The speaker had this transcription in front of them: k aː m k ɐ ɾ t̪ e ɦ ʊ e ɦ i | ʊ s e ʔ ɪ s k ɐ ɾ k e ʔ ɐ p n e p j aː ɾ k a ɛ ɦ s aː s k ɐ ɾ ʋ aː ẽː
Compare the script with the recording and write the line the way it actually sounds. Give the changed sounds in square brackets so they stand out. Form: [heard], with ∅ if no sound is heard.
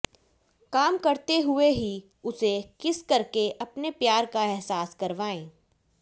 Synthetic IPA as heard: k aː m k ɐ ɾ t̪ e ɦ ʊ e ɦ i | ʊ s e [k] ɪ s k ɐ ɾ k e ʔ ɐ p n e p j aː ɾ k a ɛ ɦ s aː s k ɐ ɾ ʋ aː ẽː